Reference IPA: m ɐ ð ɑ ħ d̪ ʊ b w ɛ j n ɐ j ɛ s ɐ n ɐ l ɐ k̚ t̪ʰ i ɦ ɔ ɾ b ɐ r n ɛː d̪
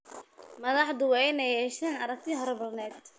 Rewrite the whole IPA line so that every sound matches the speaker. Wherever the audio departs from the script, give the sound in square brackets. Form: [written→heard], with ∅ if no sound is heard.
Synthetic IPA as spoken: m ɐ ð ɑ ħ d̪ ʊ [b→∅] w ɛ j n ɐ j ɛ [s→ʃ] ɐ n ɐ [l→ɾ] ɐ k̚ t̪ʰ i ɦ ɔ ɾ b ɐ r n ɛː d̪